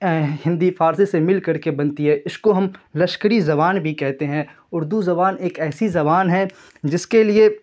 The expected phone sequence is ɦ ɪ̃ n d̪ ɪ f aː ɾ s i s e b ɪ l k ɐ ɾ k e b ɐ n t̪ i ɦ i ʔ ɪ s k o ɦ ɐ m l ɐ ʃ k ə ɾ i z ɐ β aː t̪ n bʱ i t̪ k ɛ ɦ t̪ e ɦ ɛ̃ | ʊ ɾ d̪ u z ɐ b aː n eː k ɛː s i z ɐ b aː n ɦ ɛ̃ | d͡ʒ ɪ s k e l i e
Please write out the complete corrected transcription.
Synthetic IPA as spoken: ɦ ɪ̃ n d̪ i f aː ɾ s i s e m ɪ l k ɐ ɾ k e b ɐ n t̪ i ɦ ɛ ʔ ɪ s k o ɦ ɐ m l ɐ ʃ k ə ɾ i z ɐ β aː n bʱ i k ɛ ɦ t̪ e ɦ ɛ̃ | ʊ ɾ d̪ u z ɐ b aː n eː k ɛː s i z ɐ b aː n ɦ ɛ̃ | d͡ʒ ɪ s k e l i e